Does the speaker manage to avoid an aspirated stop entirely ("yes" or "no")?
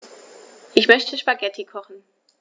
no